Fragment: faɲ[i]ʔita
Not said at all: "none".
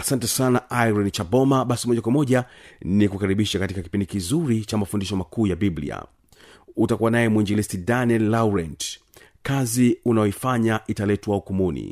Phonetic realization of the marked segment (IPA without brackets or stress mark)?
a